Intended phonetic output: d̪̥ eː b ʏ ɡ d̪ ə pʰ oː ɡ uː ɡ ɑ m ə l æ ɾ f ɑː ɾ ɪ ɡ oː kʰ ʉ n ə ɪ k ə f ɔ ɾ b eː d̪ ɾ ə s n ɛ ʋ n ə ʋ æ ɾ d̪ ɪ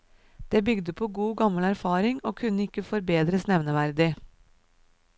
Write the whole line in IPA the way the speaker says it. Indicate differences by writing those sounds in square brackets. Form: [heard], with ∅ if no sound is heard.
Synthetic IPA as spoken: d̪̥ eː b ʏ ɡ d̪ ə pʰ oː ɡ uː ɡ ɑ m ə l æ ɾ f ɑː ɾ ɪ [ŋ] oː kʰ ʉ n ə ɪ k ə f ɔ ɾ b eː d̪ ɾ ə s n ɛ ʋ n ə ʋ æ ɾ d̪ ɪ